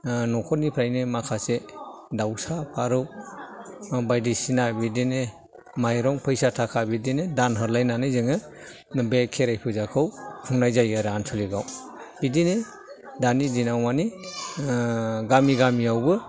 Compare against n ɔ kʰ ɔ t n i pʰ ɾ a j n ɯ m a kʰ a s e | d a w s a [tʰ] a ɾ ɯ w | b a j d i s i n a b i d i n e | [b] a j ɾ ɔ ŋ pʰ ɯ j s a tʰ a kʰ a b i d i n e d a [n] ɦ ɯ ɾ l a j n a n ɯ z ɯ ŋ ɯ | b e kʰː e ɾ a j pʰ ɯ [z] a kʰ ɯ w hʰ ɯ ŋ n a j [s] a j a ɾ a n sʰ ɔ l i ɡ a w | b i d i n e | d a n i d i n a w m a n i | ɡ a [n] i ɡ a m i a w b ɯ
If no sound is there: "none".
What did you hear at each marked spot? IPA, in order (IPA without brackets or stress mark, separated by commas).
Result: pʰ, m, n, z, z, m